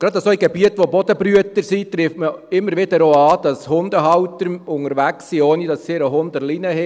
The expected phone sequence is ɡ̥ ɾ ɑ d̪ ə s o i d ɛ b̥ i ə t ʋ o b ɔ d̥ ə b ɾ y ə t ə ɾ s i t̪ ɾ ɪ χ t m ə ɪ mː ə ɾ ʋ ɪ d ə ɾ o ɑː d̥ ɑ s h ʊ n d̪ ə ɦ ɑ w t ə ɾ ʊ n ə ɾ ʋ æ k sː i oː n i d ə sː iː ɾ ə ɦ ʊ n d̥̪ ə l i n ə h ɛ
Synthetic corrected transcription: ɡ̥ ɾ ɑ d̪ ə s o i ɡ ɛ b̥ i ə t ʋ o b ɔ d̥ ə b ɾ y ə t ə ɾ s i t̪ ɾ ɪ f t m ə ɪ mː ə ɾ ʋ ɪ d ə ɾ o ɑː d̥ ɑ s h ʊ n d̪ ə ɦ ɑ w t ə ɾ ʊ ŋ ə ɾ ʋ æ k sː i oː n i d ɑ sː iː ɾ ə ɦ ʊ n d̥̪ ə l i n ə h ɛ